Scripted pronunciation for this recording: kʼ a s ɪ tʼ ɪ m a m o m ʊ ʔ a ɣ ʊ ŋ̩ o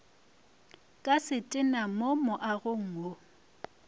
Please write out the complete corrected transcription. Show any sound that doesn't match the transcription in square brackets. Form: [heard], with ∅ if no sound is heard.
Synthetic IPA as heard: kʼ a s ɪ tʼ ɪ [n] a m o m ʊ ʔ a ɣ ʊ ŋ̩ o